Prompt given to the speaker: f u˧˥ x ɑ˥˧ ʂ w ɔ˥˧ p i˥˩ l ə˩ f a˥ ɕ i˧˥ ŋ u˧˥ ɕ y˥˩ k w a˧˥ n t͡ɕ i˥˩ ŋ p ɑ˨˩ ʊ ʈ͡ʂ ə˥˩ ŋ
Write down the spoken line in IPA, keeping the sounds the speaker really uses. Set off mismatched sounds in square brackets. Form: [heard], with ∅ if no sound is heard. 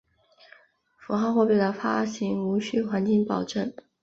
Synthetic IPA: f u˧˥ x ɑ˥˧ [x] w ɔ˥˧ p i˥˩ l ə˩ f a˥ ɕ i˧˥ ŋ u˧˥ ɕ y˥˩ [x] w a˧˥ n t͡ɕ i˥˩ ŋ p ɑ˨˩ ʊ ʈ͡ʂ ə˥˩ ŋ